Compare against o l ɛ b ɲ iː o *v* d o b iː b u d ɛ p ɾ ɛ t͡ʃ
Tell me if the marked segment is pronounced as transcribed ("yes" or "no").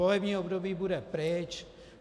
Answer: no